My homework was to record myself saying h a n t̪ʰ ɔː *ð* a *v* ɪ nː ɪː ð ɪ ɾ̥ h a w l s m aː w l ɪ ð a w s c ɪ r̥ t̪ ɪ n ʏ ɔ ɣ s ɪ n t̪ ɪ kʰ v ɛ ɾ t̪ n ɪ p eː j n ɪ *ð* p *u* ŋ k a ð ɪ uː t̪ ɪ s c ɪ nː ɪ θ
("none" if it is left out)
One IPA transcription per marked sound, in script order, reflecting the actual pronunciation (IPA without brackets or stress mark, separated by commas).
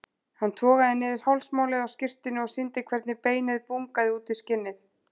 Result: ɣ, ð, ð, u